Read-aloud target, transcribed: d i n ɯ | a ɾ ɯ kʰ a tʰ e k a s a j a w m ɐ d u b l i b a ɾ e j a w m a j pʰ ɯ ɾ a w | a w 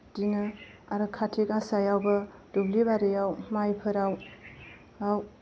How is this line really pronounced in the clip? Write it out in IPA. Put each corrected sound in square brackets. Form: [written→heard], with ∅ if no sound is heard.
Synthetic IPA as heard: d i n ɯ | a ɾ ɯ kʰ a tʰ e k a s a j a w [m→b] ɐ d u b l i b a ɾ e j a w m a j pʰ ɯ ɾ a w | a w